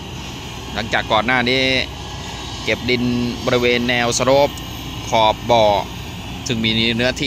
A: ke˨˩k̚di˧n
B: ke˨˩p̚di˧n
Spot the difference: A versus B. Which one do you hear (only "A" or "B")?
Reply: B